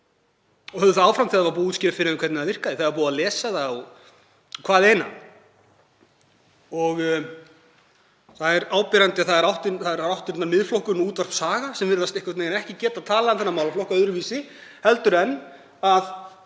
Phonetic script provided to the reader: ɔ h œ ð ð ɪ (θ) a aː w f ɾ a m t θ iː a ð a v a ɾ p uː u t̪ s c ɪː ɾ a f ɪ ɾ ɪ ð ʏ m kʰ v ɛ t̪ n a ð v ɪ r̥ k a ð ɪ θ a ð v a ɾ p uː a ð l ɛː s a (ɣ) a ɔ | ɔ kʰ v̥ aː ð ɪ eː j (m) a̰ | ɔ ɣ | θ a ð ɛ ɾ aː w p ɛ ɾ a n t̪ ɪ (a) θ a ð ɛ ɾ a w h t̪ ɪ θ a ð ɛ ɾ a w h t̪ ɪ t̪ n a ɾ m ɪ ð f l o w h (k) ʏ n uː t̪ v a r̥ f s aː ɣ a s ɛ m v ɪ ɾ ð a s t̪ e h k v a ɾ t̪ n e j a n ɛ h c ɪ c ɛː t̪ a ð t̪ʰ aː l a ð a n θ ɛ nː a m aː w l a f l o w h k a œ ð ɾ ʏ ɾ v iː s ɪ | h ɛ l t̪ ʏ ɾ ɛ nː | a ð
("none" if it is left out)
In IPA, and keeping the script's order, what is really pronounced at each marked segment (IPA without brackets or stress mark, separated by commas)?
θ, ð, n, a, k